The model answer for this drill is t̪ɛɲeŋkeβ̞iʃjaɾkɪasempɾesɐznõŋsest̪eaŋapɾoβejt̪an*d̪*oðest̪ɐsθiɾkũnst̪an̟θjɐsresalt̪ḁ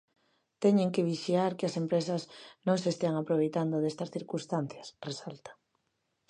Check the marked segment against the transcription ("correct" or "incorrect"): correct